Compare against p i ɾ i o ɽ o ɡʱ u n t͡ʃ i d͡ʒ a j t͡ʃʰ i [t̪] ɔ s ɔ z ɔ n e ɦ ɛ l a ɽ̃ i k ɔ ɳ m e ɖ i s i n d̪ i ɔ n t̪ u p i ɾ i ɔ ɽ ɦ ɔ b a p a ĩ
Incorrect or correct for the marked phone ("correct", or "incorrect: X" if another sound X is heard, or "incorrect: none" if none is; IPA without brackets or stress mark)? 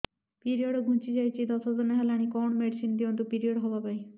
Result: incorrect: d̪